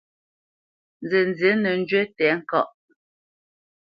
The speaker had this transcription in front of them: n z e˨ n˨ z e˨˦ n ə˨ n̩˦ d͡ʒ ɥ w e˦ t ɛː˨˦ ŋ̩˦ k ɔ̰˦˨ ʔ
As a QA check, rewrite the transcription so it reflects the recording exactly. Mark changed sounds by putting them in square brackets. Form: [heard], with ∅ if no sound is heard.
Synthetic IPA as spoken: n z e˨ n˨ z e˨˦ n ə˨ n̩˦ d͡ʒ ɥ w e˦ t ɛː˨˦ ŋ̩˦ k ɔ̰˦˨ ʔ